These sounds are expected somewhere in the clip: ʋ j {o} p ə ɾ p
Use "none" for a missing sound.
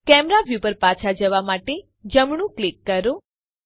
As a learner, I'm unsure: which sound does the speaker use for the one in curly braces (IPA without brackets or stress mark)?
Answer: u